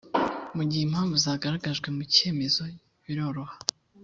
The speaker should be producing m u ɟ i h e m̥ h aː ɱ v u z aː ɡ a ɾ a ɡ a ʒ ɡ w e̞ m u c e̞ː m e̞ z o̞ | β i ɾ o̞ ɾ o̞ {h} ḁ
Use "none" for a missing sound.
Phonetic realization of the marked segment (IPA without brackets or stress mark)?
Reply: h